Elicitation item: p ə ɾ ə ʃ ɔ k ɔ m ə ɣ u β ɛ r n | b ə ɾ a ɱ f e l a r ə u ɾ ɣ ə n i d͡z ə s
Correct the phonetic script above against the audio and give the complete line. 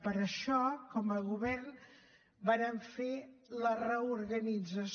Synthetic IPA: p ə ɾ ə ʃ ɔ k ɔ m ə ɣ u β ɛ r n | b a ɾ ə ɱ f e l ə r ə u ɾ ɣ ə n i d͡z ə s

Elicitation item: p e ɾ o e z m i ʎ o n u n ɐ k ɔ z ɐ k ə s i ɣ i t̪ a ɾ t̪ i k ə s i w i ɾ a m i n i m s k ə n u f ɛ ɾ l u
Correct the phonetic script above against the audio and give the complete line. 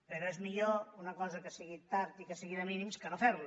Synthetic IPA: p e ɾ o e z m i ʎ o u n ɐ k ɔ z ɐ k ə s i ɣ i t̪ a ɾ t̪ i k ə s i ɣ i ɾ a m i n i m s k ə n o f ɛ ɾ l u

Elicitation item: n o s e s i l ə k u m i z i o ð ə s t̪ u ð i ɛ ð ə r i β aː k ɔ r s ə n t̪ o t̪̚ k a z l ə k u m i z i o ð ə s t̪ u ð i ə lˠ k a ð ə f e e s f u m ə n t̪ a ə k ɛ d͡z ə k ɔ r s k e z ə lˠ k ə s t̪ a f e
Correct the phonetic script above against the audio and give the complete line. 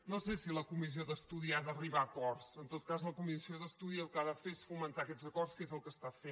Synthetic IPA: n o s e s i l ə k u m i z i o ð ə s t̪ u ð i a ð ə r i β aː k ɔ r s ə n t̪ o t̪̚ k a z l ə k u m i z i o ð ə s t̪ u ð i ə lˠ k a ð ə f e e s f u m ə n t̪ a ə k ɛ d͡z ə k ɔ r s k e z ə lˠ k ə s t̪ a f e

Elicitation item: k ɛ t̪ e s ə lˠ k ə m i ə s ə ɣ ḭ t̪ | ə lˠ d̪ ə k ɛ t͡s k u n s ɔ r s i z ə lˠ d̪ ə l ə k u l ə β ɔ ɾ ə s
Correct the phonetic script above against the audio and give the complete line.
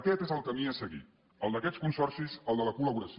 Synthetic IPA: k ɛ t̪ e z ə lˠ k ə m i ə s ə ɣ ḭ t̪ | ə lˠ d̪ ə k ɛ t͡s k u n s ɔ r s i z ə lˠ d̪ ə l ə k u l ə β u ɾ ə s

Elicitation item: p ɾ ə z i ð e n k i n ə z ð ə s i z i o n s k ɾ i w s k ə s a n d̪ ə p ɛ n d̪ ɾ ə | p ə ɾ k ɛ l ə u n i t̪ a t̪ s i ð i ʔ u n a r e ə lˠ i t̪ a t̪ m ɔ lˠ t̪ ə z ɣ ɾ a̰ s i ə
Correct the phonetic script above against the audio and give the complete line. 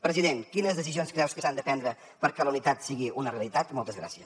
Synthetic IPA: p ɾ ə z i ð e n k i n ə z ð ə s i z i o n s k ɾ ɛ w s k ə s a n d̪ ə p ɛ n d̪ ɾ ə | p ə ɾ k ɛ l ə u n i t̪ a t̪ s i ɣ i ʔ u n ə r e ə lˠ i t̪ a t̪ m ɔ lˠ t̪ ə z ɣ ɾ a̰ s i ə

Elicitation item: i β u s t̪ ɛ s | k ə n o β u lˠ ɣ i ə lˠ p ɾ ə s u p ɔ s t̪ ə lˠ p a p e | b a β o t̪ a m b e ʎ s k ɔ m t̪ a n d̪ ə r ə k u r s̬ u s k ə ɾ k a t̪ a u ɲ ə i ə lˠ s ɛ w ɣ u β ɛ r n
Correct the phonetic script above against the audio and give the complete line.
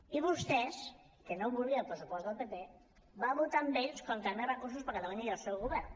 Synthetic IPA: i β u s t̪ ɛ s | k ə n o β u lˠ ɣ i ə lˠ p ɾ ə s u p ɔ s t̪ ə lˠ p e p e | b a β u t̪ a m b e ʎ s k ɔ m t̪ a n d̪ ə r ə k u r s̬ u s p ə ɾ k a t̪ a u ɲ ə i ə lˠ s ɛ w ɣ u β ɛ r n

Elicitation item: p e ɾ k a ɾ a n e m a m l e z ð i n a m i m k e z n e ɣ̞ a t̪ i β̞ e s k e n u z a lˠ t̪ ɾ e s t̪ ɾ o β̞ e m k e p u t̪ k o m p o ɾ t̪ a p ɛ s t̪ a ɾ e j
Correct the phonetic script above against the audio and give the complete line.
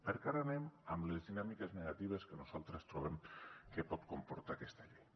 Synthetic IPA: p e ɾ k a ɾ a n e m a m l e z ð i n a m i k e z n e ɣ̞ a t̪ i β̞ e s k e n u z a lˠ t̪ ɾ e s t̪ ɾ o β̞ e m k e p ɔ t̪ k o m p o ɾ t̪ a k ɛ s t̪ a ʎ e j

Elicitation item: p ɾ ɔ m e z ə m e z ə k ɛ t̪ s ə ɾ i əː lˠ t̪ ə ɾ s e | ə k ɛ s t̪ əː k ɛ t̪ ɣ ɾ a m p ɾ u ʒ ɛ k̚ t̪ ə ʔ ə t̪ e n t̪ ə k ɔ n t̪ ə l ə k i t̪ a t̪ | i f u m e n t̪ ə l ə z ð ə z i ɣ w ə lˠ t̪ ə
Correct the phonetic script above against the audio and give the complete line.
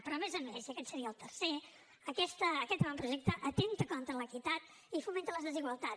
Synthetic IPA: p ɾ ɔ m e z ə m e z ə k ɛ t̪ s ə ɾ i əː lˠ t̪ ə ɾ s e | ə k ɛ s t̪ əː k ɛ t̪ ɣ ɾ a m p ɾ u ʒ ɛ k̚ t̪ ə ʔ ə t̪ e n t̪ ə k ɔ n t̪ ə l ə k i t̪ a t̪ | i f u m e n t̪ ə l ə z ð ə z i ɣ w ə lˠ t̪ a

